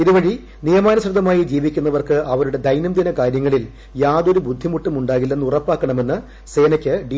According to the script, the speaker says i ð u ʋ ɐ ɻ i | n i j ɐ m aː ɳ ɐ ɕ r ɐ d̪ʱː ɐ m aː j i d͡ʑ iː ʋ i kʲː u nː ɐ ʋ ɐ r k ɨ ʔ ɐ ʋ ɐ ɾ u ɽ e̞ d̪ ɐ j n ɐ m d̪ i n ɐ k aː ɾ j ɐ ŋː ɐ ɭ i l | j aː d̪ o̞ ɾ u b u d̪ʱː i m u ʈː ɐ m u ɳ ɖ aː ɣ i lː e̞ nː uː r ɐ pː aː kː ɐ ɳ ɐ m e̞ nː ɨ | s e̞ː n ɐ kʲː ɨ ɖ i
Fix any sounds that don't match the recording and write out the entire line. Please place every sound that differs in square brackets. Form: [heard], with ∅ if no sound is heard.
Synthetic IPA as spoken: i ð u ʋ ɐ ɻ i | n i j ɐ m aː [n] ɐ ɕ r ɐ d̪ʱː ɐ m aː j i d͡ʑ iː ʋ i kʲː u nː ɐ ʋ ɐ r k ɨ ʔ ɐ ʋ ɐ ɾ u ɽ e̞ d̪ ɐ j n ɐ m d̪ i n ɐ k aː ɾ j ɐ ŋː ɐ ɭ i l | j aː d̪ o̞ ɾ u b u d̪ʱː i m u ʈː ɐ m u ɳ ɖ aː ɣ i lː e̞ nː [u] r ɐ pː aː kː ɐ ɳ ɐ m e̞ nː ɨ | s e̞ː n ɐ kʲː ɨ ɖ i